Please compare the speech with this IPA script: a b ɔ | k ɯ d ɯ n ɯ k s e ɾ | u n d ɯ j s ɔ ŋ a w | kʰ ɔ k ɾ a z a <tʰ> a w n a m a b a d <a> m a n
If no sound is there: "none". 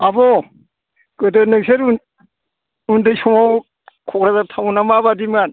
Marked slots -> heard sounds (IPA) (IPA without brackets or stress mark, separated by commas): tʰ, i